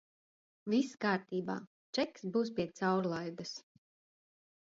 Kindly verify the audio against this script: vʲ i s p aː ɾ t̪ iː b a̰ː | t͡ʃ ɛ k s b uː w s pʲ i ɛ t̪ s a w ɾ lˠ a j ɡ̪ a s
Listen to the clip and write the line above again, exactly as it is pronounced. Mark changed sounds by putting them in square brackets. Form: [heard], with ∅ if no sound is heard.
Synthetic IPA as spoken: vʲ i s [k] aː ɾ t̪ iː b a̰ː | t͡ʃ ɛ k s b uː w s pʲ i ɛ t̪ s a w ɾ lˠ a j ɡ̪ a s